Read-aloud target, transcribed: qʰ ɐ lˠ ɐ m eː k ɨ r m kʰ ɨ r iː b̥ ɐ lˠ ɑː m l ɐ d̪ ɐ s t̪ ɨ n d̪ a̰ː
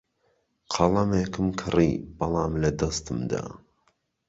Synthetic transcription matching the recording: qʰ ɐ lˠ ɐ m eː k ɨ m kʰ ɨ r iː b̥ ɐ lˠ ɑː m l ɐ d̪ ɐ s t̪ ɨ m d̪ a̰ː

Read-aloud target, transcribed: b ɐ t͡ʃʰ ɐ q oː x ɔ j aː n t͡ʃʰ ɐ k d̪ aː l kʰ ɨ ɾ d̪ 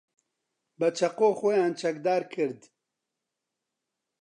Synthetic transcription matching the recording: b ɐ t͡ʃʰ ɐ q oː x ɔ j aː n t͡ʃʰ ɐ k d̪ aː ɾ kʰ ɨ ɾ d̪

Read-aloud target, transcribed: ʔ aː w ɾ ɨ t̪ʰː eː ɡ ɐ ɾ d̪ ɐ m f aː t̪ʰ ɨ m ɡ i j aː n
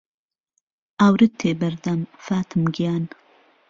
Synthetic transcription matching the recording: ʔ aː w ɾ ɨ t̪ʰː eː b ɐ ɾ d̪ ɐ m f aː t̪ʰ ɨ m ɡ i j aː n

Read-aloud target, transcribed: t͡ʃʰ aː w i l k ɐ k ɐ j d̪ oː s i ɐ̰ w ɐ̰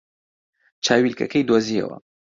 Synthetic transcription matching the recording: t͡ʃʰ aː w i l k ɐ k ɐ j d̪ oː z i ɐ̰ w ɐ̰

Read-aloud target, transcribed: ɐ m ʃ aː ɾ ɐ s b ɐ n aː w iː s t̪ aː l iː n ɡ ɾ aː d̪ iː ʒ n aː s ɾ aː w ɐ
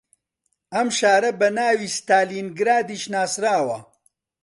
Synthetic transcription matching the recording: ɐ m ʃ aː ɾ ɐ b ɐ n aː w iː s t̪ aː l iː n ɡ ɾ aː d̪ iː ʃ n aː s ɾ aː w ɐ

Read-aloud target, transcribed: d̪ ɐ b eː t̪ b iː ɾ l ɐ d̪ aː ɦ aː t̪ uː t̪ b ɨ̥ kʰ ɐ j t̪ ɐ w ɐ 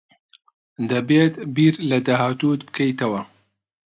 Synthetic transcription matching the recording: d̪ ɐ b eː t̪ b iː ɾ l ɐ d̪ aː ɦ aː t̪ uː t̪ b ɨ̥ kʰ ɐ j t̪ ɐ w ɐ

